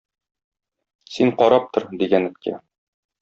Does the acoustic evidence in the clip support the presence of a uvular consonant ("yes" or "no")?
yes